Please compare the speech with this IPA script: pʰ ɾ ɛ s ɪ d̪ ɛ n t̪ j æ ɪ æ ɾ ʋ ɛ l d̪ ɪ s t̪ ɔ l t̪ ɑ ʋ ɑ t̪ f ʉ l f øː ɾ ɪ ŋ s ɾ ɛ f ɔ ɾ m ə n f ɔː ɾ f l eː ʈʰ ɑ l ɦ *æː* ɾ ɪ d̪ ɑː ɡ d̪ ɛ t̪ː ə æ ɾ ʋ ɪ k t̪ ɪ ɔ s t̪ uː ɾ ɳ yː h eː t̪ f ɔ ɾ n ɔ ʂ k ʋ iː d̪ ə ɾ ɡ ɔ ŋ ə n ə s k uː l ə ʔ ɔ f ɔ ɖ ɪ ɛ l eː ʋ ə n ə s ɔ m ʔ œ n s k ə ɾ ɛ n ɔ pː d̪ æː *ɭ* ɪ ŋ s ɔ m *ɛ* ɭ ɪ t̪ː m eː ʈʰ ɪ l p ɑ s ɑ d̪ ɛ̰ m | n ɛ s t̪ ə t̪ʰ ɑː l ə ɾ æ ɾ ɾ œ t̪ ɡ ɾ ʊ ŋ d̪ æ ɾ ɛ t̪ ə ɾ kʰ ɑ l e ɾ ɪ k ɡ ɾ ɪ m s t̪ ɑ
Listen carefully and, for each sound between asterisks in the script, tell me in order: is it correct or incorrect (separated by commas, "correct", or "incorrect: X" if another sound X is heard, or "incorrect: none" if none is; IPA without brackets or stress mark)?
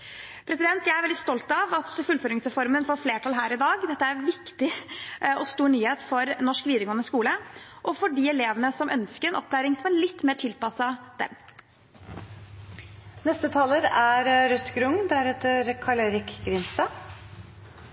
correct, incorrect: ɾ, incorrect: æ